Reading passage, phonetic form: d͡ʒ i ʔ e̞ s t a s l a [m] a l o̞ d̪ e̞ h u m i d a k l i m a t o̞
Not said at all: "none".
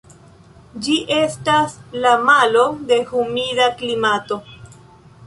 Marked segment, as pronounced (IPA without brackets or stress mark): m